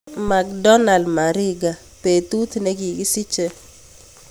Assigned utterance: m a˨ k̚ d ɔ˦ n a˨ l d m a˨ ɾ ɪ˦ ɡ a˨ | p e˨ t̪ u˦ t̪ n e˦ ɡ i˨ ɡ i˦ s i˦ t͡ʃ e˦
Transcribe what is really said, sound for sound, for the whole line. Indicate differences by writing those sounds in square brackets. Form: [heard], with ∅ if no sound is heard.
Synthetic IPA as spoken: m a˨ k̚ d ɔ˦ n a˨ l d m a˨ ɾ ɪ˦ ɡ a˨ | p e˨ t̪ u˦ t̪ n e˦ ɡ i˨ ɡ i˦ s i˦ t͡ʃ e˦